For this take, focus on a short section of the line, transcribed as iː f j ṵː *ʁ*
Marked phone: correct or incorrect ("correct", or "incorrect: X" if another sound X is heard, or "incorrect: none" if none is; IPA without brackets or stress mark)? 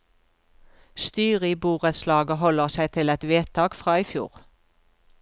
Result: correct